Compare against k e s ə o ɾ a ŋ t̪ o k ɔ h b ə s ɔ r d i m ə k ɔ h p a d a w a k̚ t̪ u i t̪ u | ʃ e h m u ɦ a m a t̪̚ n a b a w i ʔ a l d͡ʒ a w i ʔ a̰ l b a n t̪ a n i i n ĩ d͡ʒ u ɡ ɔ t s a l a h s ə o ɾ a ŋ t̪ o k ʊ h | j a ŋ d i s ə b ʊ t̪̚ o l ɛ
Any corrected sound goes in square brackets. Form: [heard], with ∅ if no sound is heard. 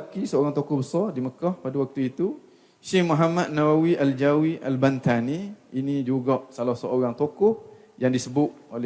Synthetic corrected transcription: k [i] s ə o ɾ a ŋ t̪ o k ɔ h b ə s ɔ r d i m ə k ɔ h p a d a w a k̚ t̪ u i t̪ u | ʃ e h m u ɦ a m a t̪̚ n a [w] a w i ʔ a l d͡ʒ a w i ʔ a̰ l b a n t̪ a n i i n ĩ d͡ʒ u ɡ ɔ [ʔ] s a l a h s ə o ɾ a ŋ t̪ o k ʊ h | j a ŋ d i s ə b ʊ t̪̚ o l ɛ